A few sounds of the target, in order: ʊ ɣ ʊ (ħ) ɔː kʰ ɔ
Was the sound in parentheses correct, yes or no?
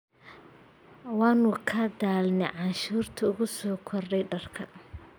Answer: no